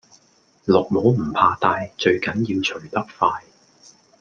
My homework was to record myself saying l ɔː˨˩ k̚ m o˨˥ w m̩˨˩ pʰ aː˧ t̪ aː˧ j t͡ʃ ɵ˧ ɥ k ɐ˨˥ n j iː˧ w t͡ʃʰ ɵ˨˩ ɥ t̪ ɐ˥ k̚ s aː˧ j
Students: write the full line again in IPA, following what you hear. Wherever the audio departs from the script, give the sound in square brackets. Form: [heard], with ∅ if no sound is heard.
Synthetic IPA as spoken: l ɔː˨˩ k̚ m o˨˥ w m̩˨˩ pʰ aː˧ t̪ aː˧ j t͡ʃ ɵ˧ ɥ k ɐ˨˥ n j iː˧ w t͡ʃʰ ɵ˨˩ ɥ t̪ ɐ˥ k̚ [f] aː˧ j